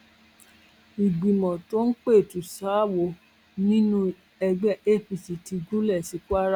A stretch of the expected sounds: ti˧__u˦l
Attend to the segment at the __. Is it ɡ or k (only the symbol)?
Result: ɡ